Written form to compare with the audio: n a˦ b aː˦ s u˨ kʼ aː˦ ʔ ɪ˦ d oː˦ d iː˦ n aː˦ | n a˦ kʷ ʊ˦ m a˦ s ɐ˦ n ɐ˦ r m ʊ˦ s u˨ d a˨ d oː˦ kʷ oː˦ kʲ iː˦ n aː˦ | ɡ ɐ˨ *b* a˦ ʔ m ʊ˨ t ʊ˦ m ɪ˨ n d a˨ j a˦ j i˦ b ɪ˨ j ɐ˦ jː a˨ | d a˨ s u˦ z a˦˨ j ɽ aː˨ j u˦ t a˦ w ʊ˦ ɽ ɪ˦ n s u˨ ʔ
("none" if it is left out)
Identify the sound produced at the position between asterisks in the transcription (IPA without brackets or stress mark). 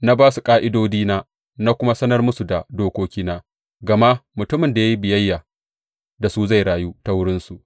m